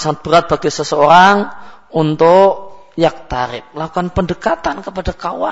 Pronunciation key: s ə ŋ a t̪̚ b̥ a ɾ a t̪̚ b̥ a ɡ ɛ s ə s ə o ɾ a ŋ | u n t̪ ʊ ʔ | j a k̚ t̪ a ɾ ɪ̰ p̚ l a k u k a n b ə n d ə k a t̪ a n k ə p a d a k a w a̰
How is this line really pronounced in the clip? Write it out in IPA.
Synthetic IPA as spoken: s a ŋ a t̪̚ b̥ ə ɾ a t̪̚ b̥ a ɡ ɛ s ə s ə o ɾ a ŋ | u n t̪ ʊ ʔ | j a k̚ t̪ a ɾ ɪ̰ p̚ l a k u k a n p ə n d ə k a t̪ a n k ə p a d a k a w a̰